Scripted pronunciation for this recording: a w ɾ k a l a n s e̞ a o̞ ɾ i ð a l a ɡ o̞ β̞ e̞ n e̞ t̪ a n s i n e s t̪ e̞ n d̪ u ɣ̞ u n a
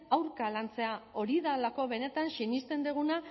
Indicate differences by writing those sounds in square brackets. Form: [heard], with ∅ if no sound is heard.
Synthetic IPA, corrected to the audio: a w ɾ k a l a n [t͡s] e̞ a o̞ ɾ i ð a l a [k] o̞ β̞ e̞ n e̞ t̪ a n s i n [i] s t̪ e̞ n d̪ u ɣ̞ u n a